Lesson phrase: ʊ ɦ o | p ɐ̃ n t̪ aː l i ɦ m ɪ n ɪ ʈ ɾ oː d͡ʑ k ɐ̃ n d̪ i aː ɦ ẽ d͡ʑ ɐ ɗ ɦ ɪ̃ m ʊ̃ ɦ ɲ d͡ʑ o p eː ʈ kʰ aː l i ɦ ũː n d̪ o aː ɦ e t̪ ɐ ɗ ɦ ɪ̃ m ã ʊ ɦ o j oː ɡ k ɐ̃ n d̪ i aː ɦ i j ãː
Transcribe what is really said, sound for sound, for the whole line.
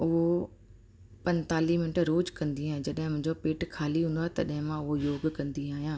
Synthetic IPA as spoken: ʊ ɦ o | p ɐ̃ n t̪ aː l i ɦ m ɪ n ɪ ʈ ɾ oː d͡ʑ k ɐ̃ n d̪ i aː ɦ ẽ d͡ʑ ɐ ɗ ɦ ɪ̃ m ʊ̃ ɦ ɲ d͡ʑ o p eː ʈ kʰ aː l i ɦ ũː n d̪ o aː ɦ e t̪ ɐ ɗ ɦ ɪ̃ m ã ʊ ɦ o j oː ɡ k ɐ̃ n d̪ i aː ɦ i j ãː

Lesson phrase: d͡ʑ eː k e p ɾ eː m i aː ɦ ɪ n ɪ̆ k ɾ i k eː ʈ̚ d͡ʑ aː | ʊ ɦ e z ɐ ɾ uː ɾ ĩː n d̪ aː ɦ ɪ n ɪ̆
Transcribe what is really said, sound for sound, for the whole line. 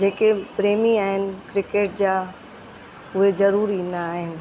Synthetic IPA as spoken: d͡ʑ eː k e p ɾ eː m i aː ɦ ɪ n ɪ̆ k ɾ ɪ k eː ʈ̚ d͡ʑ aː | ʊ ɦ e z ɐ ɾ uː ɾ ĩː n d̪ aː ɦ ɪ n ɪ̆

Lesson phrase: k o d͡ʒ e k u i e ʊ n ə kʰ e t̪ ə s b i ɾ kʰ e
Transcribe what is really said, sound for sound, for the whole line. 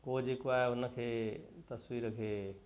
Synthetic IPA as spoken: k o d͡ʒ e k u a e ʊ n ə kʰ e t̪ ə s w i ɾ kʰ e

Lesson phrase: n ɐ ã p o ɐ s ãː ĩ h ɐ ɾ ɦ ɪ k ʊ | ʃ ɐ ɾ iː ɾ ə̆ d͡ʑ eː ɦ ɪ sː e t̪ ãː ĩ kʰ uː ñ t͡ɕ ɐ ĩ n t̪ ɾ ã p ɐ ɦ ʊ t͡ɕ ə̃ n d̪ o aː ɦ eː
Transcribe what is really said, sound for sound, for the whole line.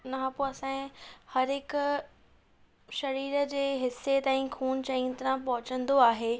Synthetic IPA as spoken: n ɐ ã p o ɐ s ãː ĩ h ɐ ɾ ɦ ɪ k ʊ | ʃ ɐ ɾ iː ɾ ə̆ d͡ʑ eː ɦ ɪ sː e t̪ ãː ĩ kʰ uː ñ t͡ɕ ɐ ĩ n t̪ ɾ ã p ɐ ɦ ʊ t͡ɕ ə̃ n d̪ o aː ɦ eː

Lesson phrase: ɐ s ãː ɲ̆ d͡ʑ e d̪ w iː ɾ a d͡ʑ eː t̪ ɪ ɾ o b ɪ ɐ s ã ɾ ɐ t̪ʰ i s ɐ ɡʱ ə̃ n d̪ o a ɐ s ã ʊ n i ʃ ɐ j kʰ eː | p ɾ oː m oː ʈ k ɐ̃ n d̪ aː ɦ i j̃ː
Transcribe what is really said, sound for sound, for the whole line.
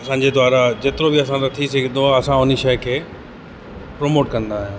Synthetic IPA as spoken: ɐ s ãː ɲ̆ d͡ʑ e d̪ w aː ɾ a d͡ʑ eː t̪ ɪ ɾ o b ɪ ɐ s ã ɾ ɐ t̪ʰ i s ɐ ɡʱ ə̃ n d̪ o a ɐ s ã ʊ n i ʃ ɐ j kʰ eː | p ɾ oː m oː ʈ k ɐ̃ n d̪ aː ɦ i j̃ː

